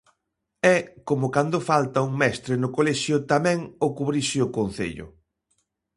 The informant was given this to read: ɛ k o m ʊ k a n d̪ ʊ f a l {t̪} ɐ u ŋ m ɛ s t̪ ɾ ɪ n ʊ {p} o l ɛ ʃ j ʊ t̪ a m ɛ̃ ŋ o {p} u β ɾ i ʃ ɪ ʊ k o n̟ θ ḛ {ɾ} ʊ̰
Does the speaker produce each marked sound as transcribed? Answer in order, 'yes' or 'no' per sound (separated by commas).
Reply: yes, no, no, no